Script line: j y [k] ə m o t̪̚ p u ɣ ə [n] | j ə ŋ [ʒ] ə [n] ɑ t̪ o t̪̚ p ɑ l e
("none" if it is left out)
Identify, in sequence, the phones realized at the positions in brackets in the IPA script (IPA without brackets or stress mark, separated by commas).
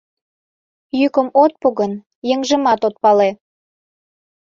k, n, ʒ, m